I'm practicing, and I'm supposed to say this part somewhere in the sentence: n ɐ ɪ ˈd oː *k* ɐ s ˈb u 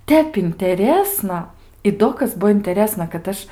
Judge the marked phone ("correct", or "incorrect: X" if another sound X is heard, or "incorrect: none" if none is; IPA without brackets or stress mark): correct